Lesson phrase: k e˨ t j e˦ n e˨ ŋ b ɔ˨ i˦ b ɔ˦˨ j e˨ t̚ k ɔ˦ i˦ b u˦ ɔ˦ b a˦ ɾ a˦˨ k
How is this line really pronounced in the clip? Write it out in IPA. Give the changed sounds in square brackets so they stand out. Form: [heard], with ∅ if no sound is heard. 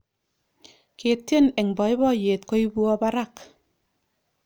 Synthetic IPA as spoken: k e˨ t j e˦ n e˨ ŋ b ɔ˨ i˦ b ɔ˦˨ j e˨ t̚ k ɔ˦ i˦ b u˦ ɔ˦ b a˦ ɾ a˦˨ k